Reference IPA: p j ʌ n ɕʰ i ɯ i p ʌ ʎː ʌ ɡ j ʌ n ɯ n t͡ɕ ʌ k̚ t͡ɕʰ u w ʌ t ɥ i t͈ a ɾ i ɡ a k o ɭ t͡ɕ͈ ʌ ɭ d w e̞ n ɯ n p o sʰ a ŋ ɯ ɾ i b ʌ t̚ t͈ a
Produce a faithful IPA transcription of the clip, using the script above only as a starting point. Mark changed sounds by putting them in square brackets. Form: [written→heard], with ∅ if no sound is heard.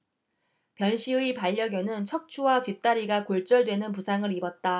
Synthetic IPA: p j ʌ n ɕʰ i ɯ i p [ʌ→a] ʎː ʌ ɡ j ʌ n ɯ n [t͡ɕ→t͡ɕʰ] ʌ k̚ t͡ɕʰ u w [ʌ→a] t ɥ i t͈ a ɾ i ɡ a k o ɭ t͡ɕ͈ ʌ ɭ d w e̞ n ɯ n p [o→u] sʰ a ŋ ɯ ɾ i b ʌ t̚ t͈ a